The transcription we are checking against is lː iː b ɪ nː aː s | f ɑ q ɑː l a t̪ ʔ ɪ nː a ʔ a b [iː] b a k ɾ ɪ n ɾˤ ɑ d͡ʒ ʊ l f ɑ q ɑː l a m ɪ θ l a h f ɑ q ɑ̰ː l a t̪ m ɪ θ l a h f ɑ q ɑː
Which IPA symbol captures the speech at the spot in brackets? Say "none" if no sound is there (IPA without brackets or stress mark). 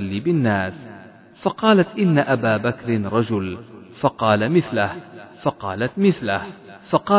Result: aː